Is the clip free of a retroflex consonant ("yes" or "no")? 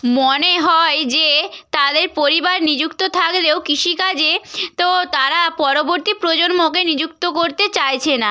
yes